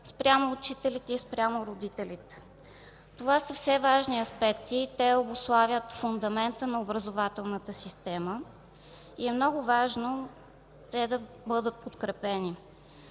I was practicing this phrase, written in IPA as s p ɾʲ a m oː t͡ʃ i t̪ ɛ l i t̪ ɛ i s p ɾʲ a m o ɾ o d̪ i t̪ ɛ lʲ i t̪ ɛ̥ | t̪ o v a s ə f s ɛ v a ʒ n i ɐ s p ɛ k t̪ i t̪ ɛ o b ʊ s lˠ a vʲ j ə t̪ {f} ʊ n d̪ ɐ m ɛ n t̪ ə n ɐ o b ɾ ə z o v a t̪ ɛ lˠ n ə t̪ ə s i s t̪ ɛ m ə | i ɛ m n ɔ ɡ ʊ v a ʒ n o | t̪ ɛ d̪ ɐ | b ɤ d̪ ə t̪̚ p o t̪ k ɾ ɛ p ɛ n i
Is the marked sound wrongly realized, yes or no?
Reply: no